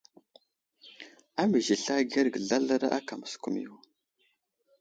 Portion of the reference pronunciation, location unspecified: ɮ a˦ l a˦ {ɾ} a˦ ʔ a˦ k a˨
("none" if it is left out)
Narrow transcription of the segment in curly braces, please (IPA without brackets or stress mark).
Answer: ɾ